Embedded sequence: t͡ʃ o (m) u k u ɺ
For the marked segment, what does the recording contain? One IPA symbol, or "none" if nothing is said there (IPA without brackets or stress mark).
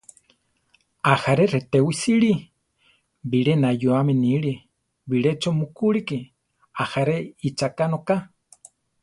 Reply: m